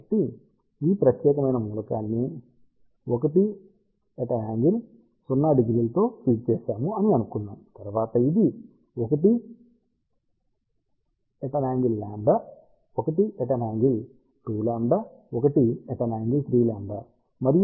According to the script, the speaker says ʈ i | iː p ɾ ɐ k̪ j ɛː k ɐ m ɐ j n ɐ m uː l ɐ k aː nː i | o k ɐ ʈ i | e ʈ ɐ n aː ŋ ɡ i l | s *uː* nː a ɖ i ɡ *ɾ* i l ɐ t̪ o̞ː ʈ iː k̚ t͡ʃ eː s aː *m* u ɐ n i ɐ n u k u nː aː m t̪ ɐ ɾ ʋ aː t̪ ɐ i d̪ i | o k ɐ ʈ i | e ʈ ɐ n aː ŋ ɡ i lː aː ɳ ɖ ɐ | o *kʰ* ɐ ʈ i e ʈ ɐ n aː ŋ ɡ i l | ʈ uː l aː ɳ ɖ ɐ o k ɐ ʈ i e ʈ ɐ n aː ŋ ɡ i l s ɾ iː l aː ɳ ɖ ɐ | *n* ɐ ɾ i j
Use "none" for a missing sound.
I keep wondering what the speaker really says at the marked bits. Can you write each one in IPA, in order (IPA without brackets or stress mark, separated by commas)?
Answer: u, ɾ, m, k, m